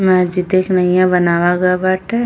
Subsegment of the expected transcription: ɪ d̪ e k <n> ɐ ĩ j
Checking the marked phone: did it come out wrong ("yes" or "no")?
no